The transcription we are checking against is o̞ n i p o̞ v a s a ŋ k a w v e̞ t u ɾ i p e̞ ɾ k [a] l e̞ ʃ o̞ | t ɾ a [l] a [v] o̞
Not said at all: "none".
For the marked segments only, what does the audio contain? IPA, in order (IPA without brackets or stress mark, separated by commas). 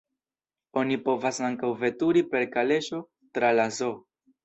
a, l, z